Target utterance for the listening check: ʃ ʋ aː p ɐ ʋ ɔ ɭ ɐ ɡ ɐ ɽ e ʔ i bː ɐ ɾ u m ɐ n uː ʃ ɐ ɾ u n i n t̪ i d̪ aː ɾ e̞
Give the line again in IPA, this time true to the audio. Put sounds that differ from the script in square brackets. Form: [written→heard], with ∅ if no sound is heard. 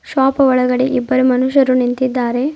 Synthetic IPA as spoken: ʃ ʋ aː p ɐ ʋ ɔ ɭ ɐ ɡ ɐ ɽ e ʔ i bː ɐ ɾ u m ɐ n [uː→u] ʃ ɐ ɾ u n i n t̪ i [d̪→d̪ː] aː ɾ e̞